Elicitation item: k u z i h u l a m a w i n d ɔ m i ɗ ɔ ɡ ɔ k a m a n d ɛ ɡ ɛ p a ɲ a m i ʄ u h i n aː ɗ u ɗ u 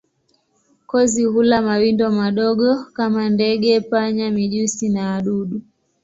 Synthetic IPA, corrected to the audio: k ɔ z i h u l a m a w i n d ɔ m a ɗ ɔ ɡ ɔ k a m a n d ɛ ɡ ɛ p a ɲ a m i ʄ u s i n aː ɗ u ɗ u